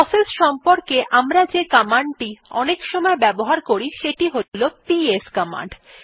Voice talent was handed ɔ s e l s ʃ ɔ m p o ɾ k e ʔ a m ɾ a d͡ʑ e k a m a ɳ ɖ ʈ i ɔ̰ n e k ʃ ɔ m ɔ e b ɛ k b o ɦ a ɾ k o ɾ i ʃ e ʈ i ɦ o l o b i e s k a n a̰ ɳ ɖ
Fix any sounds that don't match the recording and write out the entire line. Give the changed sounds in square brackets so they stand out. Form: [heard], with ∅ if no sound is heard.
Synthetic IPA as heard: ɔ s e l s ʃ ɔ m p o ɾ k e ʔ a m ɾ a d͡ʑ e k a m a ɳ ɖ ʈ i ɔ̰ n e k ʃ ɔ m ɔ e b ɛ [∅] b o ɦ a ɾ k o ɾ i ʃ e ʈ i ɦ o l o [p] i e s k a [m] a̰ ɳ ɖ